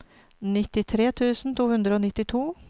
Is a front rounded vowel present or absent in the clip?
absent